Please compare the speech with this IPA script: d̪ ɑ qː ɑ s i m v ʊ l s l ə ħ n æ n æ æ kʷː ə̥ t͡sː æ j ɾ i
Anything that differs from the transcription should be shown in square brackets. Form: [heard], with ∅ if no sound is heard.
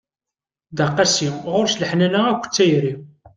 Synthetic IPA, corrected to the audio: d̪ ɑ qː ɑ s i m [ʁ] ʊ [ɾ] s l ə ħ n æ n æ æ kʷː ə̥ t͡sː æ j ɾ i